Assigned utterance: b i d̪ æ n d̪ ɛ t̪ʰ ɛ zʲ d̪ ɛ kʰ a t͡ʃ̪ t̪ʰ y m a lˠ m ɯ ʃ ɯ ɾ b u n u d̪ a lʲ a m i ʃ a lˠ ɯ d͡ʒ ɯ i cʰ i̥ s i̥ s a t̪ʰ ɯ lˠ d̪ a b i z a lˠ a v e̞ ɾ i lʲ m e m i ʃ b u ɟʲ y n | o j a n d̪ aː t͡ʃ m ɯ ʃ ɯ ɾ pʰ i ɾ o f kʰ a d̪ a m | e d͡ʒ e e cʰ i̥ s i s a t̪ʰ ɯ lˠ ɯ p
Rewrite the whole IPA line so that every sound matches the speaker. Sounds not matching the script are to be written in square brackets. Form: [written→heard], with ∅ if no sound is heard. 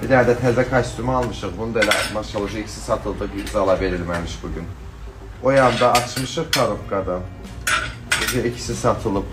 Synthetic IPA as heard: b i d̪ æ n d̪ ɛ t̪ʰ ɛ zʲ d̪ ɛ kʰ a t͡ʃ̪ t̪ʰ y m a lˠ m ɯ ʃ ɯ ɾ b u n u d̪ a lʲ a m [i→a] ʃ a lˠ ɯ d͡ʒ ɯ i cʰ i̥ s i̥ s a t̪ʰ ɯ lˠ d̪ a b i z a lˠ a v e̞ ɾ i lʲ m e m i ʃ b u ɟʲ y n | o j a n d̪ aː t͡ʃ m ɯ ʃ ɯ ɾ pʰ [i→a] ɾ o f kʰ a d̪ a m | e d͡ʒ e [e→i] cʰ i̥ s i s a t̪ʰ ɯ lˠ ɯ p

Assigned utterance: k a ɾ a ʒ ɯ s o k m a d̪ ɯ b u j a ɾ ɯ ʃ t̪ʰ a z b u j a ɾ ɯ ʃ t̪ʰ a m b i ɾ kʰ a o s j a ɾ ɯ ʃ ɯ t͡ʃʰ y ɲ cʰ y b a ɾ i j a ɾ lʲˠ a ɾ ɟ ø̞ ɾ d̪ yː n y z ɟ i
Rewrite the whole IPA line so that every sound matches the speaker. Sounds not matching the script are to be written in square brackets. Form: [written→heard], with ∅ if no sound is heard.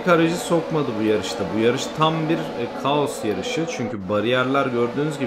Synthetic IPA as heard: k a ɾ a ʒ ɯ s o k m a d̪ ɯ b u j a ɾ ɯ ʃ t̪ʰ a [z→∅] b u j a ɾ ɯ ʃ t̪ʰ a m b i ɾ kʰ a o s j a ɾ ɯ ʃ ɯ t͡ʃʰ y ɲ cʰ y b a ɾ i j [a→æ] ɾ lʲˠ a ɾ ɟ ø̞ ɾ d̪ yː n y z ɟ i

